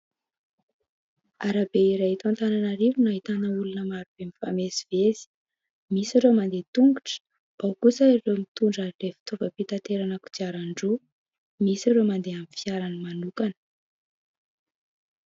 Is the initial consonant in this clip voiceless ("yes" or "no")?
no